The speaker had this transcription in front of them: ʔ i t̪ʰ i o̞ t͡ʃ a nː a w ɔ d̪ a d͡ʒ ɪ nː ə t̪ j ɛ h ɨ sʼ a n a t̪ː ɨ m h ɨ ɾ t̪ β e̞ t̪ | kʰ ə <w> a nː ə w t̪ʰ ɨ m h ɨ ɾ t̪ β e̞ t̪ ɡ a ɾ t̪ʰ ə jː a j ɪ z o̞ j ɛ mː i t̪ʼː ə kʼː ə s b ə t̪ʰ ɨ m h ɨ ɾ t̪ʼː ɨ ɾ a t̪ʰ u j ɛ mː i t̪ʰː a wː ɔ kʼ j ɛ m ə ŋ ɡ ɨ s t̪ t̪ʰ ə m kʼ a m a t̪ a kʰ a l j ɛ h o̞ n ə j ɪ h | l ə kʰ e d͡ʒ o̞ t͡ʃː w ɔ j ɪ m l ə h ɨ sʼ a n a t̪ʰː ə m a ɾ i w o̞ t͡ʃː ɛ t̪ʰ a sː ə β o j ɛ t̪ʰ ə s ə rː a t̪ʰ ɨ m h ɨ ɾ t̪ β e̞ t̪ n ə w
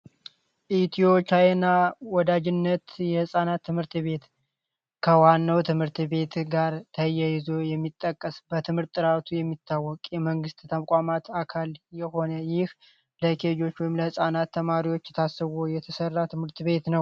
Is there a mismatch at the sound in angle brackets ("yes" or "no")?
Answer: no